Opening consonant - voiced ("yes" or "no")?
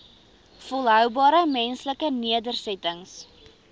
no